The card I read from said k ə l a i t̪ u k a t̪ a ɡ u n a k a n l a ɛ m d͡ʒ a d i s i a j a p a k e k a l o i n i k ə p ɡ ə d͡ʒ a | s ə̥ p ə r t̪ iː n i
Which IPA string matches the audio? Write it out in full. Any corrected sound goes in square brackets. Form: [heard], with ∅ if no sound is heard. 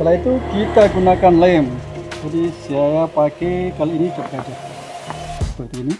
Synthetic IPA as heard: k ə l a i t̪ u k [i] t̪ a ɡ u n a k a n l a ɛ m d͡ʒ a d i s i a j a p a k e k a l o i n i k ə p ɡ [a] d͡ʒ a | s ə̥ p ə r t̪ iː n i